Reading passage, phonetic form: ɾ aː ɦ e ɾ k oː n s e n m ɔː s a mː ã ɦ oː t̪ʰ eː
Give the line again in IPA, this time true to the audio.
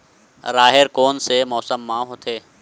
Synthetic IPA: ɾ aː ɦ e ɾ k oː n s e m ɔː s ə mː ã ɦ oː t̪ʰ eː